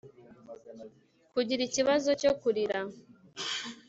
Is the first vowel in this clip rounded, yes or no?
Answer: yes